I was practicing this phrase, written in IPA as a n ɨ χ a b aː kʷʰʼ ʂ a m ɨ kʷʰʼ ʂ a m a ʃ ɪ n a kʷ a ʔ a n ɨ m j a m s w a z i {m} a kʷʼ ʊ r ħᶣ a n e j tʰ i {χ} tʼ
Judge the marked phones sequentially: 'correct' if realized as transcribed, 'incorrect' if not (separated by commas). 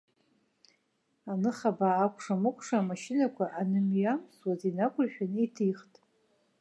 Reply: incorrect, correct